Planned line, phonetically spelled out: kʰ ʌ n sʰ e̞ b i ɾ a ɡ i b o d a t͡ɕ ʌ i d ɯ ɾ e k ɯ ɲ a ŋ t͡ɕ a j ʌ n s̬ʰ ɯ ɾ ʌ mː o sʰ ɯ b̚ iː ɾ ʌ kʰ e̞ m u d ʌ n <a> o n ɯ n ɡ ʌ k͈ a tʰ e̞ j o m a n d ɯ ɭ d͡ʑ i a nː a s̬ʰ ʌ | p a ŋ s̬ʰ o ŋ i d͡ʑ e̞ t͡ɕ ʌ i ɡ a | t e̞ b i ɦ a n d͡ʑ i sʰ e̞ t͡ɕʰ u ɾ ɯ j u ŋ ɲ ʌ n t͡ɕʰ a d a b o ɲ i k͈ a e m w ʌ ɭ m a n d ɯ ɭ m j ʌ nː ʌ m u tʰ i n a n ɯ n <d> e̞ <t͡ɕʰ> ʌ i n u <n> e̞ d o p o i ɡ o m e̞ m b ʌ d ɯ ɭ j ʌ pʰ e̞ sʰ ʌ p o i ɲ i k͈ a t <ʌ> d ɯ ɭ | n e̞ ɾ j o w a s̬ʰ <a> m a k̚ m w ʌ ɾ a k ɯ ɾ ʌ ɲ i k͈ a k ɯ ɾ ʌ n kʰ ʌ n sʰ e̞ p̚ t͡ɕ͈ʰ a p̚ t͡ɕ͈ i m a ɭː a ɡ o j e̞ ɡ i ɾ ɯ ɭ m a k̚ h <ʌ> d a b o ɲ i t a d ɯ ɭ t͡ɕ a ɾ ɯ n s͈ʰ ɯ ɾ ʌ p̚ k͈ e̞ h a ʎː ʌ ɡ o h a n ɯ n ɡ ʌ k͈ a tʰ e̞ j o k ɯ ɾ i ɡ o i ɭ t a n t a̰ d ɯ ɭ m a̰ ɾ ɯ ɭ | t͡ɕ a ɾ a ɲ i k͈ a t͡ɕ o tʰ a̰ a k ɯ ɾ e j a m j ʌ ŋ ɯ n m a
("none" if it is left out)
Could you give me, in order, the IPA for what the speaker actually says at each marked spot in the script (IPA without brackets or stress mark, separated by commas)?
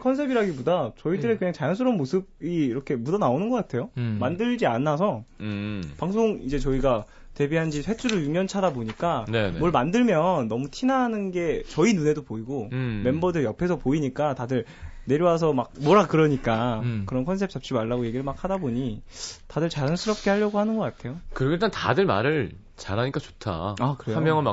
a, ɡ, t͡ɕ, n, a, ʌ, a